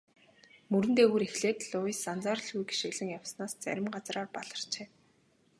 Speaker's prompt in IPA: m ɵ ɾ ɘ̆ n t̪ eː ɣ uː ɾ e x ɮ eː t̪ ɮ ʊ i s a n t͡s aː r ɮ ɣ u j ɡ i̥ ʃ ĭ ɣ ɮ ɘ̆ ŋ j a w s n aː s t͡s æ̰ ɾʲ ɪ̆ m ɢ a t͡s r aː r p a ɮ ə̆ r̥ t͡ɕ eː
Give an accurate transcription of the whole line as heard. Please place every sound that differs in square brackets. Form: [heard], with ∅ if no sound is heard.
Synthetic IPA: m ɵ ɾ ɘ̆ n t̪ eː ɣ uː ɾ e x ɮ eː t̪ ɮ ʊ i s a n t͡s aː r ɮ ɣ u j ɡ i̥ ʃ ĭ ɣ ɮ ɘ̆ ŋ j a w s n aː s t͡s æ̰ ɾʲ ɪ̆ m ɢ a t͡s r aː r p a ɮ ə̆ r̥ t͡ɕ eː